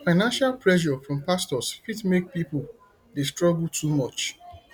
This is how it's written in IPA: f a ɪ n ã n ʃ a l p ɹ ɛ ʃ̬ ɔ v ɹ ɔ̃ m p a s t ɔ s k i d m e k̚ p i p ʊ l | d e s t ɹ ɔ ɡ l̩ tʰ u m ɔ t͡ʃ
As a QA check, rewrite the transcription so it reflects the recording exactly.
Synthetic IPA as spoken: f a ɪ n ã n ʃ a l p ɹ ɛ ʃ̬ ɔ f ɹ ɔ̃ m p a s t ɔ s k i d m e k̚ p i p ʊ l | d e s t ɹ ɔ ɡ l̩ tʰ u m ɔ t͡ʃ

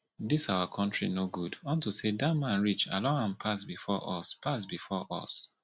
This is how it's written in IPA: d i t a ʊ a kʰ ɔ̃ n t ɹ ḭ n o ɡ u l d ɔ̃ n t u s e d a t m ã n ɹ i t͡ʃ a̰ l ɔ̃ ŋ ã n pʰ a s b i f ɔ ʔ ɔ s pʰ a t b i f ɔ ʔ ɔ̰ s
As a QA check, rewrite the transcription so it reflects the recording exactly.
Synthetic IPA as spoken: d i s a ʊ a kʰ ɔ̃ n t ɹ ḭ n o ɡ u d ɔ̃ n t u s e d a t m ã n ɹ i t͡ʃ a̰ l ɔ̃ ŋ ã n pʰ a s b i f ɔ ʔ ɔ s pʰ a s b i f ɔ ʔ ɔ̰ s

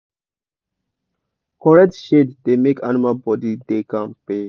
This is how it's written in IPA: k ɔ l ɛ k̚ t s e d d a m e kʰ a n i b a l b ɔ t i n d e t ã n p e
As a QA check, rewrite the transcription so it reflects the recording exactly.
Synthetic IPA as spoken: k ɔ ɹ ɛ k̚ t ʃ e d d e m e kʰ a n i m a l b ɔ d i d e k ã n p e

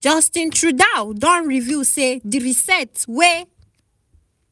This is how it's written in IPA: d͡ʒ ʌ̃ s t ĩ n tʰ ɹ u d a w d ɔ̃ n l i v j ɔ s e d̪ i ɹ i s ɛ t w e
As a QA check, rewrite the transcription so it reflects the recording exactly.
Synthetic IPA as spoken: d͡ʒ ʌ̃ s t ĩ n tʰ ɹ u d a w d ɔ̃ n ɹ i v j u s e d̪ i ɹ i s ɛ t w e

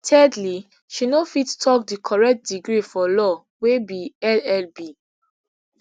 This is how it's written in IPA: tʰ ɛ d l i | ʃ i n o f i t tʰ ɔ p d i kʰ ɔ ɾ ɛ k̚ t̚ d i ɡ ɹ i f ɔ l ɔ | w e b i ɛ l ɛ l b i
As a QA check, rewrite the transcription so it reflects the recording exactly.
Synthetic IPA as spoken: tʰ ɛ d l i | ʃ i n o f i t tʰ ɔ k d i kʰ ɔ ɹ ɛ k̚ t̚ d i ɡ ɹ i f ɔ l ɔ | w e b i ɛ l ɛ l b i

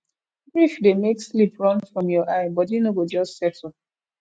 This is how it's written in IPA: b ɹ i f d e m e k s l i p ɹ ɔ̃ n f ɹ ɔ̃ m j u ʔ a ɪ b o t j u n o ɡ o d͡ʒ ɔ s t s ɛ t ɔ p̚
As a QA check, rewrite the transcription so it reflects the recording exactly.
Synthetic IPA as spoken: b ɹ i f d e m e k s l i p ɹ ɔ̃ n f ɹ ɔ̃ m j ɔ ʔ a ɪ b ɔ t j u n o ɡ o d͡ʒ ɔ s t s ɛ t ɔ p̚

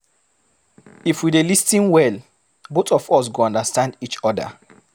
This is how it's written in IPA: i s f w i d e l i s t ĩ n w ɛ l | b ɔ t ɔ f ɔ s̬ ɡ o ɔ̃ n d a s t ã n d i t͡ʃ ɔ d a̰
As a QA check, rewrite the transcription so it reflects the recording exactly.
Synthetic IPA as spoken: i f w i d e l i s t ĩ n w ɛ l | b o t ɔ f ɔ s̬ ɡ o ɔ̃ n d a s t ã n d i t͡ʃ ɔ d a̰

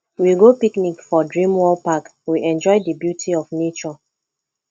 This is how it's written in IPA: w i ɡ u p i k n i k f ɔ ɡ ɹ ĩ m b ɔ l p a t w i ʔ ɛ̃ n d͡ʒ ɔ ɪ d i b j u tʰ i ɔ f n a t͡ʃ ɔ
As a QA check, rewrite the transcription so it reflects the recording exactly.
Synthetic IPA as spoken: w i ɡ o p i k n i k f ɔ d ɹ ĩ m w ɔ l p a k w i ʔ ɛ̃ n d͡ʒ ɔ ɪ d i b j u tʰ i ɔ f n e t͡ʃ ɔ

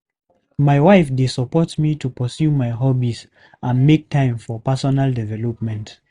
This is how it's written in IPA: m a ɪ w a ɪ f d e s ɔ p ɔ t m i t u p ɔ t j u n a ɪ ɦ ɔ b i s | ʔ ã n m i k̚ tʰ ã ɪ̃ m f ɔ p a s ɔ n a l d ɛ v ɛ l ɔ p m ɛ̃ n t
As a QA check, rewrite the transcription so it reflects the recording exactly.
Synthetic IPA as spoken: m a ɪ w a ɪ f d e s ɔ p ɔ t m i t u p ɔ s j u m a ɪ ɦ ɔ b i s | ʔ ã n m e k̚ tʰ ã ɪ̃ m f ɔ p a s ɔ n a l d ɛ v ɛ l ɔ p m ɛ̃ n t

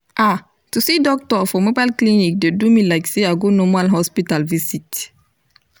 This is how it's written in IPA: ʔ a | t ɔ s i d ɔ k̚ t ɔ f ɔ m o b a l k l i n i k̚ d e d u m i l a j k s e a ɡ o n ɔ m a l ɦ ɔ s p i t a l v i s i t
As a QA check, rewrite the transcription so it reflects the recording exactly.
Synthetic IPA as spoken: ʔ a | t u s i d ɔ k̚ t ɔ f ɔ m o b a l k l i n i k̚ d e d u m i l a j k s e a ɡ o n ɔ m a l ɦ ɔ s p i t a l v i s i t

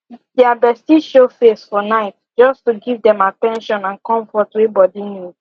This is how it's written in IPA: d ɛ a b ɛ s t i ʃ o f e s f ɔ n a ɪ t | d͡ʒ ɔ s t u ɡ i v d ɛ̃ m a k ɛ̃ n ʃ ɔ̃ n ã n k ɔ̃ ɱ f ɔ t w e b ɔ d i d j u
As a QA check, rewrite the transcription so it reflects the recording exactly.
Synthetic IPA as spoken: d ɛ a b ɛ s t i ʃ o f e s f ɔ n a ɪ t | d͡ʒ ɔ s t u ɡ i v d ɛ̃ m a t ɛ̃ n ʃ ɔ̃ n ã n k ɔ̃ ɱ f ɔ t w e b ɔ d i n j u

